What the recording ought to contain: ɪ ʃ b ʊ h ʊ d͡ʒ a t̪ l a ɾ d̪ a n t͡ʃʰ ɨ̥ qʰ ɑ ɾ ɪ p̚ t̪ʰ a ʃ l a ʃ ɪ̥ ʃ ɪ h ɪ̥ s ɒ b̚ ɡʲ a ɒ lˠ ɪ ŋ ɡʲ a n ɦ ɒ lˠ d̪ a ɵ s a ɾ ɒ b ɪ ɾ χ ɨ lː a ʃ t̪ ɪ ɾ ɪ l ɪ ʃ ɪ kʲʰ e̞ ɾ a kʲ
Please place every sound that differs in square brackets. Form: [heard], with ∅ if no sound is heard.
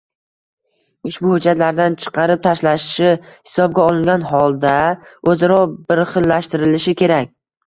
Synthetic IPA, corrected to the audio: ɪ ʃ b ʊ h ʊ d͡ʒ a t̪ l a ɾ d̪ a n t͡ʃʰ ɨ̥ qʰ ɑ ɾ ɪ p̚ t̪ʰ a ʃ l a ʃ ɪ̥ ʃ ɪ h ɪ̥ s ɒ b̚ ɡʲ a ɒ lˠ ɪ ŋ ɡʲ a n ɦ ɒ lˠ d̪ a ɵ [z] a ɾ ɒ b ɪ ɾ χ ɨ lː a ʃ t̪ ɪ ɾ ɪ l ɪ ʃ ɪ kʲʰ e̞ ɾ a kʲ